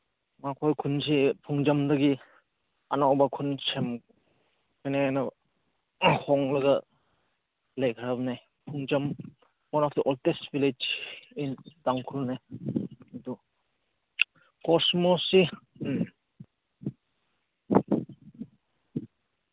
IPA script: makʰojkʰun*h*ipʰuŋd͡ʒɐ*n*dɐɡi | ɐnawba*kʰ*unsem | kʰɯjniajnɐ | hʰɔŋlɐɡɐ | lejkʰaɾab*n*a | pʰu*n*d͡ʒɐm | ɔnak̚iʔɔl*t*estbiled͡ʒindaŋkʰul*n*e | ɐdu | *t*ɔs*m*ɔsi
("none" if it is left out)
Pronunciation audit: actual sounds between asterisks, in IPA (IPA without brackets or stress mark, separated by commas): s, m, kʰ, n, ŋ, t, n, k, m